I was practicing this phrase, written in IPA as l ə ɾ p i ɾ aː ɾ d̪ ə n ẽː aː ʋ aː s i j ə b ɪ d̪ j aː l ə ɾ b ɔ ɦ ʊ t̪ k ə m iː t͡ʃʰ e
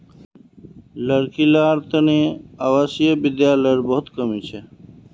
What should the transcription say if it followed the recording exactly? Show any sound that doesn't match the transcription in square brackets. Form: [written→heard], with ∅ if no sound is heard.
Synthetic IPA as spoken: l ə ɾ [p→k] i [ɾ→l] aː ɾ [d̪→t̪] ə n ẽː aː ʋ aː s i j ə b ɪ d̪ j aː l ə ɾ b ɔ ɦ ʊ t̪ k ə m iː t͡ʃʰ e